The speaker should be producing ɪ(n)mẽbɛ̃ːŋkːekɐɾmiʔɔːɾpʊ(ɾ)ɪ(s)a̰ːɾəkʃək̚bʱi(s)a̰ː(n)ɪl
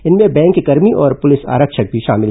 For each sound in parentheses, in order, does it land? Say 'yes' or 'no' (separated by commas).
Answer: yes, no, yes, no, no